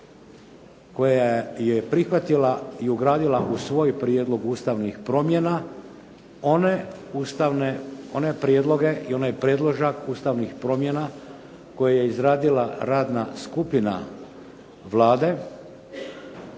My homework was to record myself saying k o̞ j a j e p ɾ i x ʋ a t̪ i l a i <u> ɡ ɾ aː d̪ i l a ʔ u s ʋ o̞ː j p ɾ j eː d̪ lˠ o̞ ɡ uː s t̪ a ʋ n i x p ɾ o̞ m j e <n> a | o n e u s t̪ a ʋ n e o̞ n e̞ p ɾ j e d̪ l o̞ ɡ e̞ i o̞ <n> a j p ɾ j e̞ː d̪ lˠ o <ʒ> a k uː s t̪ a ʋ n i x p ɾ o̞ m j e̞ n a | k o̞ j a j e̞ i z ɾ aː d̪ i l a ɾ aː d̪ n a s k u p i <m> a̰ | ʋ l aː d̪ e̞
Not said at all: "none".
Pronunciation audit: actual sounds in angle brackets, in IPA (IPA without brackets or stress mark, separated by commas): u, n, n, ʒ, n